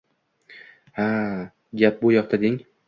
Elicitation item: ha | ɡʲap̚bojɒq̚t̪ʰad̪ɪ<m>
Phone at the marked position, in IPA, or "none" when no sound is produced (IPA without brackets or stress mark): ŋ